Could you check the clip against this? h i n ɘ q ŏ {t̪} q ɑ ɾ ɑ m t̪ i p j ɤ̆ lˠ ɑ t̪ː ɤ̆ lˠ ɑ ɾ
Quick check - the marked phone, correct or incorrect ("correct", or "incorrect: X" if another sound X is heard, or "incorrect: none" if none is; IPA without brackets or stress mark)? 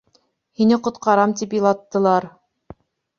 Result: correct